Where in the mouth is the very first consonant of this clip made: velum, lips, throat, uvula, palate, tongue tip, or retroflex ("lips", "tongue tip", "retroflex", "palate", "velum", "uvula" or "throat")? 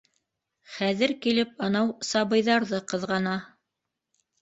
uvula